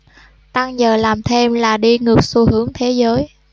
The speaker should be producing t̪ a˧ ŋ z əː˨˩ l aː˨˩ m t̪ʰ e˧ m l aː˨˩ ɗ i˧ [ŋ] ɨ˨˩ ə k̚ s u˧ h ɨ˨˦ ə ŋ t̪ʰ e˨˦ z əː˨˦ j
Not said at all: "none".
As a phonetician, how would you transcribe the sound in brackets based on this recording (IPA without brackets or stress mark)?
ŋ